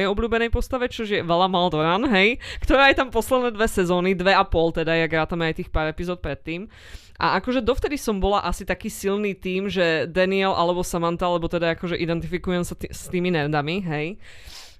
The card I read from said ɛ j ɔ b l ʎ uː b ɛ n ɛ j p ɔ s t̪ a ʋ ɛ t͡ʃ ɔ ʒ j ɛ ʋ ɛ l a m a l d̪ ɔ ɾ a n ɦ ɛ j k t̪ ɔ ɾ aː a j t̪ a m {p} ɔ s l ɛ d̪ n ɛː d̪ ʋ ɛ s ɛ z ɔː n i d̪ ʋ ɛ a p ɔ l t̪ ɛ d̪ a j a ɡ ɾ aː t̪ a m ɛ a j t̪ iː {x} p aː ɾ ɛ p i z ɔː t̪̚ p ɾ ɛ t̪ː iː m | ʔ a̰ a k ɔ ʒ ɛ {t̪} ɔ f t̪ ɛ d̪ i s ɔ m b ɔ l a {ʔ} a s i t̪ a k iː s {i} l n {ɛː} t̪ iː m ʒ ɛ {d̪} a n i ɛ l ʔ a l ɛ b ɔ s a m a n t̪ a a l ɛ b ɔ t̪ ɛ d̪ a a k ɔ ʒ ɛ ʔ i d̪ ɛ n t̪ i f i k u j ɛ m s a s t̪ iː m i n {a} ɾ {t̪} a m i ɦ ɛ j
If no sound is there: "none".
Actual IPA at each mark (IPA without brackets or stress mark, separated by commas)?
p, x, d̪, ʔ, i, iː, d̪, ɛ, d̪